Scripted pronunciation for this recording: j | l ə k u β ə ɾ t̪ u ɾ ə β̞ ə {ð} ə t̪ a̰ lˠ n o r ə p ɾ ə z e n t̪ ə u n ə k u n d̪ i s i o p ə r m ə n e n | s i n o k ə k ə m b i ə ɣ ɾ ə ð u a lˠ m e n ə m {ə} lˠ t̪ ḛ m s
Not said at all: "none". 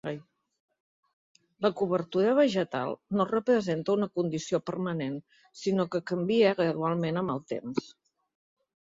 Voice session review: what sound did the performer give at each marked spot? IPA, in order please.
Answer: ʒ, ə

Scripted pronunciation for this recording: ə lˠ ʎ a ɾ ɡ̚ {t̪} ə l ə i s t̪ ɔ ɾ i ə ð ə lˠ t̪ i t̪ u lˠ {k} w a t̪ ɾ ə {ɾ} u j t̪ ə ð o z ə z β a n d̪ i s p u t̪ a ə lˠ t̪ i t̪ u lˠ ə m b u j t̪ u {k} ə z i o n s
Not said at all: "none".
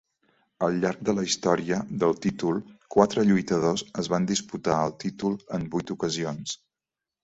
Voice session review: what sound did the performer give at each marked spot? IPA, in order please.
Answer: d̪, k, ʎ, k

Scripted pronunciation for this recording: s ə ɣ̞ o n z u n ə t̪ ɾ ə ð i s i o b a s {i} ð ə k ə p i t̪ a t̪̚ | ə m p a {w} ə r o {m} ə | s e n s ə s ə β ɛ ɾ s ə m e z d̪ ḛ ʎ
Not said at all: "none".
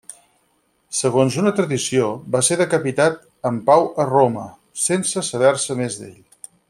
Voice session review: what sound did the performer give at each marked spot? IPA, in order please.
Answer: e, w, m

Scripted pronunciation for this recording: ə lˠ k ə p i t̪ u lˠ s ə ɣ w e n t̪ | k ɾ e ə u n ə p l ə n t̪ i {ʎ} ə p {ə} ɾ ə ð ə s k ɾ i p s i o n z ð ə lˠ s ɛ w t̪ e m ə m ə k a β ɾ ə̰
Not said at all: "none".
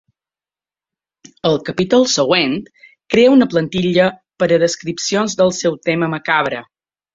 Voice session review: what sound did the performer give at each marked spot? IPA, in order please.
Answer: ʎ, ə

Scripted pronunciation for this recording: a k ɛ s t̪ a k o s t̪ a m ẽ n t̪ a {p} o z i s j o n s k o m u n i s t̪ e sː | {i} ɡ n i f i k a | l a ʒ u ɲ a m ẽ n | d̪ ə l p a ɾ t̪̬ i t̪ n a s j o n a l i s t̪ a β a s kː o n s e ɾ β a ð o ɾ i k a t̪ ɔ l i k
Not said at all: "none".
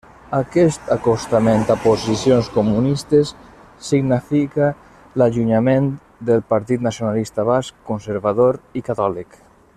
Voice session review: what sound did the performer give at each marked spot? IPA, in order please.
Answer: p, i

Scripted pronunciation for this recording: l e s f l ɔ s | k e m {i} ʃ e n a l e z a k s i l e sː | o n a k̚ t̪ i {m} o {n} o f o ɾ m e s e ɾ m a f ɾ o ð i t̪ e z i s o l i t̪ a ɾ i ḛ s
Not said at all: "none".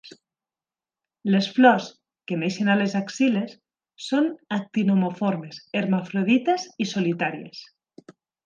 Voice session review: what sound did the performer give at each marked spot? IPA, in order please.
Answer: e, n, m

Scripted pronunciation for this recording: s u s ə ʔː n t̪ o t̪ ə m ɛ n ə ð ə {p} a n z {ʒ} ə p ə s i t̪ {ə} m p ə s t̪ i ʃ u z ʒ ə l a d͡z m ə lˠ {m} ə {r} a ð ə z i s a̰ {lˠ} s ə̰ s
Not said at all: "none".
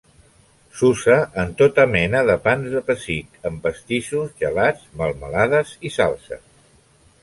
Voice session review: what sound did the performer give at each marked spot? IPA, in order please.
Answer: p, ð, ə, m, l, lˠ

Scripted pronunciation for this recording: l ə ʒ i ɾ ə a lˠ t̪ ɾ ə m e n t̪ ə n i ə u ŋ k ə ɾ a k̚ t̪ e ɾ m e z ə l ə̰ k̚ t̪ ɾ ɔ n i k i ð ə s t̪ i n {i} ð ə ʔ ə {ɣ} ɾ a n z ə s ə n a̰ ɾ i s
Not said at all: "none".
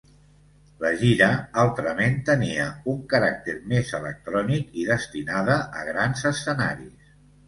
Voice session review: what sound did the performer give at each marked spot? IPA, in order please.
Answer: a, ɣ

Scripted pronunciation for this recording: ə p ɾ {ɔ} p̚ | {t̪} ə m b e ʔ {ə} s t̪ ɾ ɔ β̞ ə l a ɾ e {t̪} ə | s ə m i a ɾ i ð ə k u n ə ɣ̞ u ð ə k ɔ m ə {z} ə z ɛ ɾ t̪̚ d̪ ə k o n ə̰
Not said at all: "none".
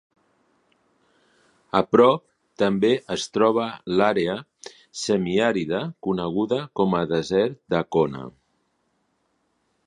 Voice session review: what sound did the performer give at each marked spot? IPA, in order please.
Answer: ɔ, t̪, ə, none, ð

